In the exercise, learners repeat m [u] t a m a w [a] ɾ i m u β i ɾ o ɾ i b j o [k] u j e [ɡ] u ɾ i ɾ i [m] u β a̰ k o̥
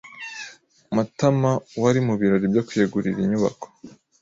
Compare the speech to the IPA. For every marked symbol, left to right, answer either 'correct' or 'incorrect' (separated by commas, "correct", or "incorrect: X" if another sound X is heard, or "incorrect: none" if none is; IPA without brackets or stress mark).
correct, correct, correct, correct, incorrect: ɲ